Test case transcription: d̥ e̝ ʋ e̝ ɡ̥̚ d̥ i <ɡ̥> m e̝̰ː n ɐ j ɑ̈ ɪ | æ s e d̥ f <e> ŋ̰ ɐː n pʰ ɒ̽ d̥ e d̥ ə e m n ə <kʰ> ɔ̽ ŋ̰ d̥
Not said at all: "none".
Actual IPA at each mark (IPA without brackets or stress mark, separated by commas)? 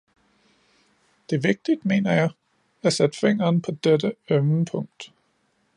d̥, e, pʰ